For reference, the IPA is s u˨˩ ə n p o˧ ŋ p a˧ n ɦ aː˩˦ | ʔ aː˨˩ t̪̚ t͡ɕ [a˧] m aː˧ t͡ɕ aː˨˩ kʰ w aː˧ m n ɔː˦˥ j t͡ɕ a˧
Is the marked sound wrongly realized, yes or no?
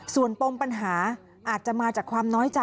yes